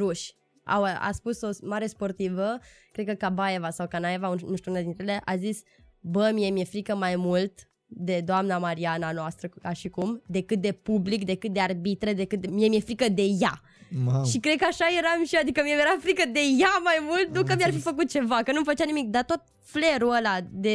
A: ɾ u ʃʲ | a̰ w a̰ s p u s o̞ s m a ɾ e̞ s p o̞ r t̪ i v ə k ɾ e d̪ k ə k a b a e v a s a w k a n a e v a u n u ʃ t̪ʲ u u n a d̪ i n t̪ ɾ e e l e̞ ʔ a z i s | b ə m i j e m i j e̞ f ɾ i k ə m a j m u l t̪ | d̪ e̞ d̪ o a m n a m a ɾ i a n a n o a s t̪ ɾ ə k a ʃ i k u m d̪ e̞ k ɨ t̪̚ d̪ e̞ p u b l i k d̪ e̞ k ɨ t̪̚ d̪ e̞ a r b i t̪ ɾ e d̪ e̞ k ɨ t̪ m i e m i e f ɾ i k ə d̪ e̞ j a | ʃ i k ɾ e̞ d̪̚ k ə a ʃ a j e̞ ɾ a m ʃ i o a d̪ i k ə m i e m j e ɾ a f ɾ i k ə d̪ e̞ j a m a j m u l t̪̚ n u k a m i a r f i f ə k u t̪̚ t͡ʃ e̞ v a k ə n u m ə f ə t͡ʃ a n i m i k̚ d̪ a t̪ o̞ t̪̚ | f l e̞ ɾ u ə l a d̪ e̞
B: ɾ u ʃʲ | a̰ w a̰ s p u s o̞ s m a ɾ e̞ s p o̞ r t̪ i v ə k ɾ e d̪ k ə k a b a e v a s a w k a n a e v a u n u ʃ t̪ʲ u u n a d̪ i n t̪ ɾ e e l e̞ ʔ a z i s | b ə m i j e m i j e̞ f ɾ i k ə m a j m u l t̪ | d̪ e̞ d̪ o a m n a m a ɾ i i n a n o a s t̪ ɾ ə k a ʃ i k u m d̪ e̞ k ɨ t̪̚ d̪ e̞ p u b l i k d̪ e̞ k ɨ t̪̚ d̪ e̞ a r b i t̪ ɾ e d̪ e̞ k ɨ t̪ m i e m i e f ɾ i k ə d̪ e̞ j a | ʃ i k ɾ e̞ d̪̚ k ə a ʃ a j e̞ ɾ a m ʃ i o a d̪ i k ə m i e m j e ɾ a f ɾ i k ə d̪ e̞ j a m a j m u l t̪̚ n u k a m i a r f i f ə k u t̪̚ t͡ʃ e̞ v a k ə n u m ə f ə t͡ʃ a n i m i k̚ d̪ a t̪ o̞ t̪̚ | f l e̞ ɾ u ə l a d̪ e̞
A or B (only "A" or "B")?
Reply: A